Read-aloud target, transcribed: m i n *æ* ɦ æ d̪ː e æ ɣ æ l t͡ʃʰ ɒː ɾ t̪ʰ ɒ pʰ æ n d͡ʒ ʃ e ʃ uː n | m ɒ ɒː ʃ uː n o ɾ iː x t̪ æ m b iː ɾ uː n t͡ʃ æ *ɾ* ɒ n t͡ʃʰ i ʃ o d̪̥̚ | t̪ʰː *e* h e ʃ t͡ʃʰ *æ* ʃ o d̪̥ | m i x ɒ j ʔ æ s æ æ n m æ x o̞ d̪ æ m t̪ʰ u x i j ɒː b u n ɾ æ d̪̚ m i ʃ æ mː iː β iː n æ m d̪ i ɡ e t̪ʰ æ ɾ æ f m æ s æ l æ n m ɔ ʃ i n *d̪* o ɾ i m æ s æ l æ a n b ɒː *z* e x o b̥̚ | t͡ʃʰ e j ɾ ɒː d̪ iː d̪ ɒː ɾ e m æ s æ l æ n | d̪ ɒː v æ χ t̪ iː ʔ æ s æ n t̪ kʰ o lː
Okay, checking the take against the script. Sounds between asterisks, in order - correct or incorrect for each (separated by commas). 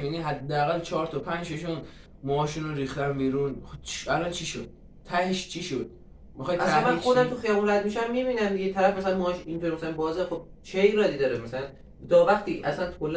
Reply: incorrect, incorrect, incorrect, incorrect, incorrect, correct